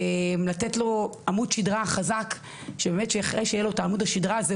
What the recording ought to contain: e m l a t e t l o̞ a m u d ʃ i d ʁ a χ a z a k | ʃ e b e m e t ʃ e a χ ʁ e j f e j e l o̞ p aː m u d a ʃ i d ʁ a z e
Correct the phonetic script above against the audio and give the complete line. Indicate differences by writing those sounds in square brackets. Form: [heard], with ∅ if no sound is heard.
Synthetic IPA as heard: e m l a t e t l o̞ a m u d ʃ i d ʁ a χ a z a k | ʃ e b e m e t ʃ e a χ ʁ e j [ʃ] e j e l o̞ [t] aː m u d a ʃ i d ʁ a z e